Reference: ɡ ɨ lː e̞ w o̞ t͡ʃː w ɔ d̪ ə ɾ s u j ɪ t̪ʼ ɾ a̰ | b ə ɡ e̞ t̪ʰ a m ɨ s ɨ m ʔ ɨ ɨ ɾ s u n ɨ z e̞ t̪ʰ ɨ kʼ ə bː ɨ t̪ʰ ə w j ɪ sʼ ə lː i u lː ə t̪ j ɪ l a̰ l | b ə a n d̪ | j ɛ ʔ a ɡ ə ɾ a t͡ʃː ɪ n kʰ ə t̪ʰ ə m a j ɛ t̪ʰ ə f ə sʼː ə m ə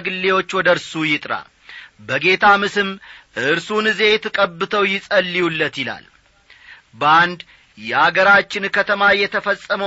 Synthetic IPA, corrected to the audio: ɡ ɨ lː e̞ w o̞ t͡ʃː w ɔ d̪ ə ɾ s u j ɪ t̪ʼ ɾ a̰ | b ə ɡ e̞ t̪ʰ a m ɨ s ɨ m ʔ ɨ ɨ ɾ s u n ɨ z e̞ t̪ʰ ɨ kʼ ə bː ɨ t̪ʰ ə w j ɪ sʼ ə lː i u lː ə t̪ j ɪ l a̰ l | b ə a n d̪ | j ɛ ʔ a ɡ ə ɾ a t͡ʃː ɪ n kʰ ə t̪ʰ ə m a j ɛ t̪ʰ ə f ə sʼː ə m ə